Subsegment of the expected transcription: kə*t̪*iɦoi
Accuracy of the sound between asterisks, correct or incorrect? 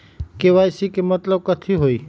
incorrect